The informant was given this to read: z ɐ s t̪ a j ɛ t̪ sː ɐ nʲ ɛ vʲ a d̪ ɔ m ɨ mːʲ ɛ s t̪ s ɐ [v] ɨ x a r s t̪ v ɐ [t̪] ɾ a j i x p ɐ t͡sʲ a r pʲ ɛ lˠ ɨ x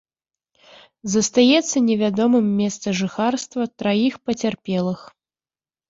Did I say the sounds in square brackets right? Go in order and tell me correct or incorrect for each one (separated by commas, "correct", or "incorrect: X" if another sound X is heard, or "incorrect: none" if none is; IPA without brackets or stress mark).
incorrect: ʐ, correct